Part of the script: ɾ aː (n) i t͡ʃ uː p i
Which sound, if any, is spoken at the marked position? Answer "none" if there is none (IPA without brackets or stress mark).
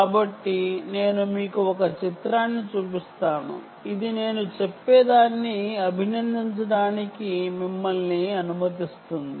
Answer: nː